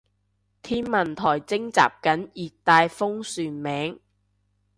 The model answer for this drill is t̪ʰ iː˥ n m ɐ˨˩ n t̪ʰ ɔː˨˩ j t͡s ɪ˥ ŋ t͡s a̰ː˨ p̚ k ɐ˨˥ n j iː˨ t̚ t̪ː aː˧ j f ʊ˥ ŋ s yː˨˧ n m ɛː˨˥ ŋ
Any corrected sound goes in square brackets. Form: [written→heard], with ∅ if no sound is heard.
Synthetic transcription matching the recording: t̪ʰ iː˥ n m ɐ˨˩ n t̪ʰ ɔː˨˩ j t͡s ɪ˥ ŋ t͡s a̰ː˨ p̚ k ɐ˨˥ n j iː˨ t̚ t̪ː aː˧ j f ʊ˥ ŋ s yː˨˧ n m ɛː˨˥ ŋ